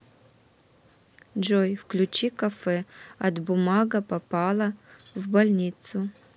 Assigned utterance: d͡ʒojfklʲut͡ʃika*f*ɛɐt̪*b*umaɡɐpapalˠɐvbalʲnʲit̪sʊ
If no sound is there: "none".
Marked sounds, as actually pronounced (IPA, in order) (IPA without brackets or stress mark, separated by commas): f, b